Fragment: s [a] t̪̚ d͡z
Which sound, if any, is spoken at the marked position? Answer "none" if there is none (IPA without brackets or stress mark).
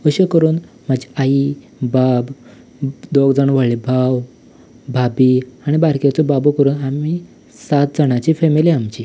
a